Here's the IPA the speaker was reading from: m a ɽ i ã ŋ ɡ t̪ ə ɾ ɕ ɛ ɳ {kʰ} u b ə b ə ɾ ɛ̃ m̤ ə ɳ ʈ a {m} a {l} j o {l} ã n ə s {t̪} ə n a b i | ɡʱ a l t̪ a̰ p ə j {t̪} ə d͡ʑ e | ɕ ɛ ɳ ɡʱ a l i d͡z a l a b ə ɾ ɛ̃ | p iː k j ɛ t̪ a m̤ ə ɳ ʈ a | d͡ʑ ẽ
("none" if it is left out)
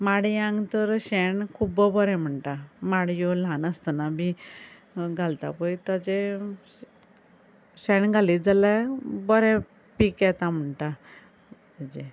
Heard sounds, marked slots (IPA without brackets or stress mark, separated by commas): kʰ, m, ɽ, l, t̪, t̪